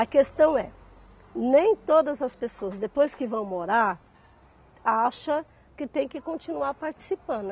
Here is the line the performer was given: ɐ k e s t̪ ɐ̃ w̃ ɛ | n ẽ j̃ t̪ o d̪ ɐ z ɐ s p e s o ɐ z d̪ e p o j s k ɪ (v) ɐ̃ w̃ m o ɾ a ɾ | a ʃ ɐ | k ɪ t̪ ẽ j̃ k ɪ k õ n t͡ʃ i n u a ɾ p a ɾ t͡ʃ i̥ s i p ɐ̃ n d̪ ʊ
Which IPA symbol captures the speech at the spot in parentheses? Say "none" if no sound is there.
v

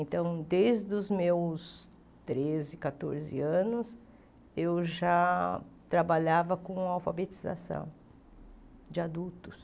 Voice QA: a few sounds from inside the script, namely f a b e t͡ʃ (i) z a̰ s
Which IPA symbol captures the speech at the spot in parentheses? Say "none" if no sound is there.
i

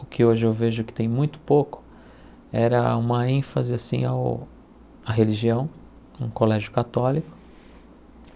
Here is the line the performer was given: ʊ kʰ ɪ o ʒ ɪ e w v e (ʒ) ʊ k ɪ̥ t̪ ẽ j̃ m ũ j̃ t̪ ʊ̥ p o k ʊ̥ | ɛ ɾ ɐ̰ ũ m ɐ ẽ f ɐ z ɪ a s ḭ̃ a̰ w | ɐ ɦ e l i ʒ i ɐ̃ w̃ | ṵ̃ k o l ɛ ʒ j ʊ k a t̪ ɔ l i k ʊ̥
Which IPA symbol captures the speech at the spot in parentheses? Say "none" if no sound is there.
ʒ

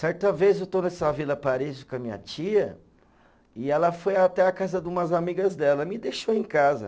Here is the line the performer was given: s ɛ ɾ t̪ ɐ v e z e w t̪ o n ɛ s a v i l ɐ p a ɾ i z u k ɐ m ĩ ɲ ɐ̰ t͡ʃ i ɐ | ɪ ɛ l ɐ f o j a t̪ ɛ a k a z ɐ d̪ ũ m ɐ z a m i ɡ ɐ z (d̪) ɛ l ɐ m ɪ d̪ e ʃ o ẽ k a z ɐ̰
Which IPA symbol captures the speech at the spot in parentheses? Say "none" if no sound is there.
d̪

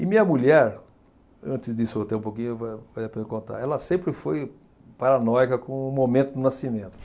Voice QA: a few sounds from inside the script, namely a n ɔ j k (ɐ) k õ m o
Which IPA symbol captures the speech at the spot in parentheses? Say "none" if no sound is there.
ɐ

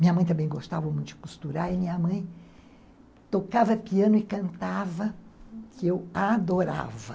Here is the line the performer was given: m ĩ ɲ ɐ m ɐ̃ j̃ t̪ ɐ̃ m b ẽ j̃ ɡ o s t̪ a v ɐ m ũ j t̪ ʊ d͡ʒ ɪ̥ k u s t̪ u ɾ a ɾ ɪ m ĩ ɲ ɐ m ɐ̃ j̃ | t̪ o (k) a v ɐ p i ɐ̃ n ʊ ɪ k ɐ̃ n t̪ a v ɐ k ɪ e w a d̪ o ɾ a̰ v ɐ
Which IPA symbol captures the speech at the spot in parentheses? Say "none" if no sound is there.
k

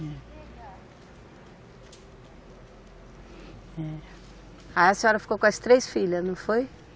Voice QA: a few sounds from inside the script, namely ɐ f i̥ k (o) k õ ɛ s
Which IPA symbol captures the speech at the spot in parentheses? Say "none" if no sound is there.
o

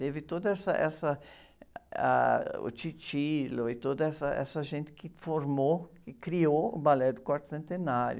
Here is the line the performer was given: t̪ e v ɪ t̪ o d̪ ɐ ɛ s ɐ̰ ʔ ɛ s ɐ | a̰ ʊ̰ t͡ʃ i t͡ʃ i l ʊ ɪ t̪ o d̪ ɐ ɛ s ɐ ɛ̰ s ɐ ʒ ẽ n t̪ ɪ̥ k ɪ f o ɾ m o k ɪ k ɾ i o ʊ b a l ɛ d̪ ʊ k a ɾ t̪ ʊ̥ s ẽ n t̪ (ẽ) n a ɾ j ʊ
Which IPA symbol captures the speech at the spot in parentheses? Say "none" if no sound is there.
e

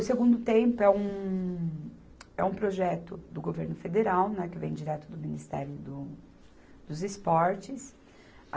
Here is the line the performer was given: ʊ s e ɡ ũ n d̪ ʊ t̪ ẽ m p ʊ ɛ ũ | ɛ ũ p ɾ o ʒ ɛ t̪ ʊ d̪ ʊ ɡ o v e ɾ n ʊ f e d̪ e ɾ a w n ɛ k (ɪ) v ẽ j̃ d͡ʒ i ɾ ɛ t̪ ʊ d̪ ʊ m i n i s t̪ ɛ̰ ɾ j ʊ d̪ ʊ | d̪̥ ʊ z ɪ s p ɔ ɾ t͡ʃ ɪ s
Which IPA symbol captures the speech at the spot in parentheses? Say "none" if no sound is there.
ɪ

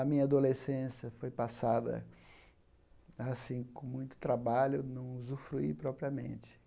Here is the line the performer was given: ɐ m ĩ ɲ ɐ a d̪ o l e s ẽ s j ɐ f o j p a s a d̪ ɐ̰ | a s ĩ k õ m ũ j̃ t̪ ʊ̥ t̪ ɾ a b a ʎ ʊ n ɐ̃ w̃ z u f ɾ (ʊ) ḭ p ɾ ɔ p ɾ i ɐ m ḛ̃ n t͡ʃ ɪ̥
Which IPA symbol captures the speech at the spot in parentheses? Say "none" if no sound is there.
u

